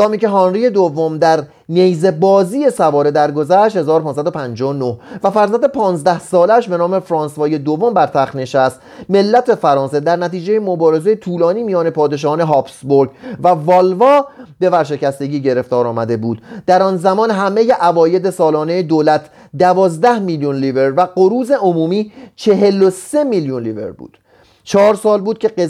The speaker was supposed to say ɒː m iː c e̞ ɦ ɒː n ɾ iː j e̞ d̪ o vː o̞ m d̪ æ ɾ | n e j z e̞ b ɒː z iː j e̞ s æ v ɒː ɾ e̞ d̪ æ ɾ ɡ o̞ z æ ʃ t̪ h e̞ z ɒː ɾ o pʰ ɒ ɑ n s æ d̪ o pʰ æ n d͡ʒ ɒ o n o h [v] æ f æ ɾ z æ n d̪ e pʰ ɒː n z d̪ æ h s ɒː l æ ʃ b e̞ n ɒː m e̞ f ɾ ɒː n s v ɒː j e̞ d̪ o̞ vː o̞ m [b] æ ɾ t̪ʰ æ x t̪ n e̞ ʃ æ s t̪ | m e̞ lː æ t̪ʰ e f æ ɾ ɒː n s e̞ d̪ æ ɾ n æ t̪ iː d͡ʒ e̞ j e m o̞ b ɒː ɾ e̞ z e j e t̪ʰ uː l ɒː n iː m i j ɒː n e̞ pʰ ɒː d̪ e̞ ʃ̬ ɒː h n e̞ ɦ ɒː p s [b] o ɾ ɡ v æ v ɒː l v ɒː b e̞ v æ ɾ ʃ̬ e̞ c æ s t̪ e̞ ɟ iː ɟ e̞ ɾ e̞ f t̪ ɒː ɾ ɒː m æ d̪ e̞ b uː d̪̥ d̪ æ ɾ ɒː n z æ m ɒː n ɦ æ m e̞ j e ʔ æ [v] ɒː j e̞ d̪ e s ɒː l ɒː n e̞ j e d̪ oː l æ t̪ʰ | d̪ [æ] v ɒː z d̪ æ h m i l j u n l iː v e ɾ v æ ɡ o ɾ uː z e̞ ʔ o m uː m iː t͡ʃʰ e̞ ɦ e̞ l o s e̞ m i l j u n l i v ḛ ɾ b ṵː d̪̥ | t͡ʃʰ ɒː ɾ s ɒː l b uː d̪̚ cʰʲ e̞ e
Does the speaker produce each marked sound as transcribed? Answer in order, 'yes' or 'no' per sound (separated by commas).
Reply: yes, yes, yes, yes, yes